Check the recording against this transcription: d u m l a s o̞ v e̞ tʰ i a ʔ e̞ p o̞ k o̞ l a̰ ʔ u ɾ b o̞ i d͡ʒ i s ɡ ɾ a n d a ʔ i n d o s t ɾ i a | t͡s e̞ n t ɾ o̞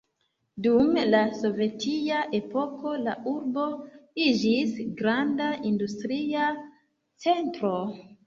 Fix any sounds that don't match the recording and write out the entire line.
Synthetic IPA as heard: d u m l a s o̞ v e̞ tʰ i a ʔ e̞ p o̞ k o̞ l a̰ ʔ u ɾ b o̞ i d͡ʒ i s ɡ ɾ a n d a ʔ i n d u s t ɾ i a | t͡s e̞ n t ɾ o̞